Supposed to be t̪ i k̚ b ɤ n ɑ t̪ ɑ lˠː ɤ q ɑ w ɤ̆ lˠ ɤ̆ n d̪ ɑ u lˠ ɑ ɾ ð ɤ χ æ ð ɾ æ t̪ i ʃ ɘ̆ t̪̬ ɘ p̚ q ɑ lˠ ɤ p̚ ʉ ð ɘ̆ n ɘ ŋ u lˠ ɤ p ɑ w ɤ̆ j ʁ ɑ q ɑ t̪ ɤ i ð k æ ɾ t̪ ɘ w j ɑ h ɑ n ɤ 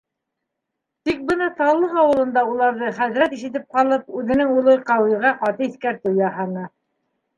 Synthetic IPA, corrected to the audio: t̪ i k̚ b ɤ n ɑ t̪ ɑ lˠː ɤ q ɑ w ɤ̆ lˠ ɤ̆ n d̪ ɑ u lˠ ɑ ɾ ð ɤ χ æ ð ɾ æ t̪ i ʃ ɘ̆ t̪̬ ɘ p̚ q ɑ lˠ ɤ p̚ ʉ ð ɘ̆ n ɘ ŋ u lˠ ɤ q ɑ w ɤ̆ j ʁ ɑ q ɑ t̪ ɤ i θ k æ ɾ t̪ ɘ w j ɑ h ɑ n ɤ